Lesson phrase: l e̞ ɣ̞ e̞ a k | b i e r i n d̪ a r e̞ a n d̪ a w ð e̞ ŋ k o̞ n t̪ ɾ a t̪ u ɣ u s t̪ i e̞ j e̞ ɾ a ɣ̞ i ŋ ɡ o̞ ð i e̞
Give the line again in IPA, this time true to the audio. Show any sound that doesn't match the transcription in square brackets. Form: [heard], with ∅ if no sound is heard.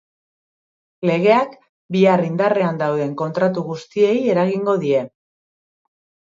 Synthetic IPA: l e̞ ɣ̞ e̞ a k | b i [a] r i n d̪ a r e̞ a n d̪ a w ð e̞ ŋ k o̞ n t̪ ɾ a t̪ u ɣ u s t̪ i e̞ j e̞ ɾ a ɣ̞ i ŋ ɡ o̞ ð i e̞